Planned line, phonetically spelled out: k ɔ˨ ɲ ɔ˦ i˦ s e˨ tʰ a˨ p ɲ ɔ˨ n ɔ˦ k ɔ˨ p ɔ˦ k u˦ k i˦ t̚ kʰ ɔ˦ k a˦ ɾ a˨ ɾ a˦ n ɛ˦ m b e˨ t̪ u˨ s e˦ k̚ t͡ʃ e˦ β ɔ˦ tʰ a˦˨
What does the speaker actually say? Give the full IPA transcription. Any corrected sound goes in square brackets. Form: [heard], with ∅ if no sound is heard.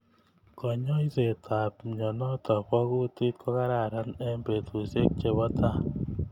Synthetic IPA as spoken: k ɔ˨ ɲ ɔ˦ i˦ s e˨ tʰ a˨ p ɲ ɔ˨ n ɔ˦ [t] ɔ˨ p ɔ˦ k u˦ [t] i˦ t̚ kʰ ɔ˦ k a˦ ɾ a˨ ɾ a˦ n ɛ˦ m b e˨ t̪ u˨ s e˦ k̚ t͡ʃ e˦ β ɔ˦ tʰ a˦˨